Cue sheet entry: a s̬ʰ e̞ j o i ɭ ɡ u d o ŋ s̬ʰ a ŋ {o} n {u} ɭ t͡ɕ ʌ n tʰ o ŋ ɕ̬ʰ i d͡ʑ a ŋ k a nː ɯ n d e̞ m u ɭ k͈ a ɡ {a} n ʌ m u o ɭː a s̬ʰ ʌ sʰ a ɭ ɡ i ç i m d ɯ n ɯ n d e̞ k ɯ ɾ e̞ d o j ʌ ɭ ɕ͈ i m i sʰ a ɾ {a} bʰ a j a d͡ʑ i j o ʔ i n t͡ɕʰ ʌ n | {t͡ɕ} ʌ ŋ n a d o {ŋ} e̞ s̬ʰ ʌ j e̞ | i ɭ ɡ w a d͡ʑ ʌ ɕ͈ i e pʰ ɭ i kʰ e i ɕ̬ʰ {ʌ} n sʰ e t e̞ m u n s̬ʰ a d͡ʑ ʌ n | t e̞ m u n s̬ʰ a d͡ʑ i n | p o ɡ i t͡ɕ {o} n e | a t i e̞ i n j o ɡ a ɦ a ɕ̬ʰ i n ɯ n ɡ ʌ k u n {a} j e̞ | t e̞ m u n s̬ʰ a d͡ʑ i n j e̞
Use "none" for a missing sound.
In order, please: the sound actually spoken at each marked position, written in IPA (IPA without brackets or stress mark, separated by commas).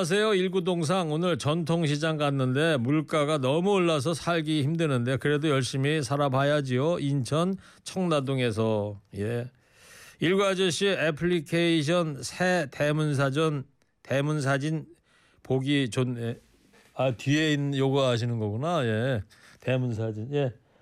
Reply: o, ɯ, a, a, t͡ɕʰ, ŋ, ʌ, o, a